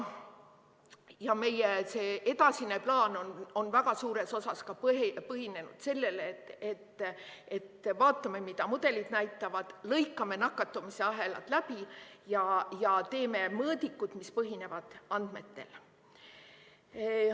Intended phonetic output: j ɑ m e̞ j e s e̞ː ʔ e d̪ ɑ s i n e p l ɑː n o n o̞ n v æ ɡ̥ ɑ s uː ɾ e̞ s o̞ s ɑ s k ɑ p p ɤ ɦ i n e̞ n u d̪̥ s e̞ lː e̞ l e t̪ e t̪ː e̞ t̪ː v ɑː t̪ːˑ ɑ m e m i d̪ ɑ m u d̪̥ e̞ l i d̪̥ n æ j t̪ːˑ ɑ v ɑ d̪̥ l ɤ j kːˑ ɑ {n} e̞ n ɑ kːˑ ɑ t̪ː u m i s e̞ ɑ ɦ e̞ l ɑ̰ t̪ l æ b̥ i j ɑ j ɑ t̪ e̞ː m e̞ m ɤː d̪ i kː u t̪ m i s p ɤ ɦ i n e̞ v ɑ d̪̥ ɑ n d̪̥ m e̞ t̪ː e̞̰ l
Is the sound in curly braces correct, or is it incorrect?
incorrect